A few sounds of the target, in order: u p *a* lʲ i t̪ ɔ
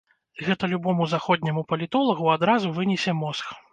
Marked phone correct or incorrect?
incorrect